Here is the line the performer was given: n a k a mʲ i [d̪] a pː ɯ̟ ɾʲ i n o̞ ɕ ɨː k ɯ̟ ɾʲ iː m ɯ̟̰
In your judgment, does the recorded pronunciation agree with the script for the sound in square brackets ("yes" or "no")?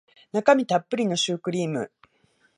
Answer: no